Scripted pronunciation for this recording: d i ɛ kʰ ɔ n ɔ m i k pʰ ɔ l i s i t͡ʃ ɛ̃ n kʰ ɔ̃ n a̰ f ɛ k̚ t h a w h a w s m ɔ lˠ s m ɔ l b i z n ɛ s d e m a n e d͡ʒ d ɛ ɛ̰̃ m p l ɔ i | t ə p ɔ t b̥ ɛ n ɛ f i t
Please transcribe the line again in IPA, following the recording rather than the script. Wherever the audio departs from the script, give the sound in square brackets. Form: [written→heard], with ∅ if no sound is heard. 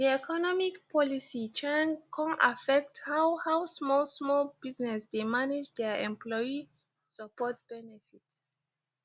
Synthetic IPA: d i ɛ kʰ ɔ n ɔ m i k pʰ ɔ l i s i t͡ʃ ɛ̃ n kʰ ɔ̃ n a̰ f ɛ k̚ t h a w h a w s m ɔ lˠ s m ɔ l b i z n ɛ s d e m a n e d͡ʒ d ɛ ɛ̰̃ m p l ɔ i | [t→s] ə p ɔ t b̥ ɛ n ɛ f i t